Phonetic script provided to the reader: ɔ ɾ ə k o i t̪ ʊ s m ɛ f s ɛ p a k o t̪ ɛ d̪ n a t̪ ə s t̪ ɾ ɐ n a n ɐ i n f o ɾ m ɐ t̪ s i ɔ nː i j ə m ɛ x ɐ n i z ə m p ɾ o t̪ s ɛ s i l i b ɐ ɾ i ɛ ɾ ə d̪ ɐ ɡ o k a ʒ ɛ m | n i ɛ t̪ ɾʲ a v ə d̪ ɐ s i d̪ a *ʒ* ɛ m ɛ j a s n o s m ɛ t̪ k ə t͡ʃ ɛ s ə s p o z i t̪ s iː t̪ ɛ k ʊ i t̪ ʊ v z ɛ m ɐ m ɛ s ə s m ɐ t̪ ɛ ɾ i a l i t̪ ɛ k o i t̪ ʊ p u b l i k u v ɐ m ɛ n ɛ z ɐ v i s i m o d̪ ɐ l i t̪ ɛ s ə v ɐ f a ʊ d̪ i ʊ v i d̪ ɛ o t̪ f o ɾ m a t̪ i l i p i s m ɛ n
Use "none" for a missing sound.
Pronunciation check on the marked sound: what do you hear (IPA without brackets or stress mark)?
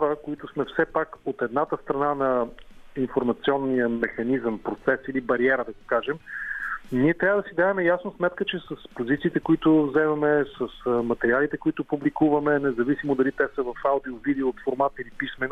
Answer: v